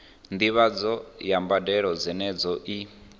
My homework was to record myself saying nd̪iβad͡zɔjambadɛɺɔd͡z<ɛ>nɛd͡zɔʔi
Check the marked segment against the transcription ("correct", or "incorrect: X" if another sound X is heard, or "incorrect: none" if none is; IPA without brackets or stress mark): correct